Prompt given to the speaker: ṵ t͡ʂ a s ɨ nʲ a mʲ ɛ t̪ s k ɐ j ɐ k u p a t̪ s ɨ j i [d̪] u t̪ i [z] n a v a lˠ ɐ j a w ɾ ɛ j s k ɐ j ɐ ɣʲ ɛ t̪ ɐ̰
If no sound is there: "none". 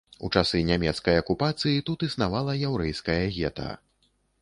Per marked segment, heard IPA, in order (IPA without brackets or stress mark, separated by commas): t̪, s